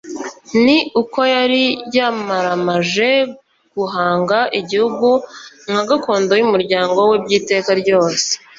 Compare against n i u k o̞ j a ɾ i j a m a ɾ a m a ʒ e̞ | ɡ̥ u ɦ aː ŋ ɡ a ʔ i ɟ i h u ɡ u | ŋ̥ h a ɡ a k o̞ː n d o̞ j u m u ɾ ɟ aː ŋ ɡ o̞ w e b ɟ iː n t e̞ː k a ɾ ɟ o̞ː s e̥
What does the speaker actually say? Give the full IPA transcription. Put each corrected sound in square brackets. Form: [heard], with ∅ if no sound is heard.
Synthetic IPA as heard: n i u k o̞ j a ɾ i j a m a ɾ a m a ʒ e̞ | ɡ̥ u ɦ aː ŋ ɡ a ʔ i ɟ i h u ɡ u | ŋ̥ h a ɡ a k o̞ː n d o̞ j u m u ɾ ɟ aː ŋ ɡ o̞ w e b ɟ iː [∅] t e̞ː k a ɾ ɟ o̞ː s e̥